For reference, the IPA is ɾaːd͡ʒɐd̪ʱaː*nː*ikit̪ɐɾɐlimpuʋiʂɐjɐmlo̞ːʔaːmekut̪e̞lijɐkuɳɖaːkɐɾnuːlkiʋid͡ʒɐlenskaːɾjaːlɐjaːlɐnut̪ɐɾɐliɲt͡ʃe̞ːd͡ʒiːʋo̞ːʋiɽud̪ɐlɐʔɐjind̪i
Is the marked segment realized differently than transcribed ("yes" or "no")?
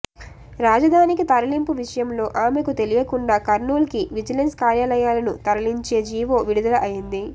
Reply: yes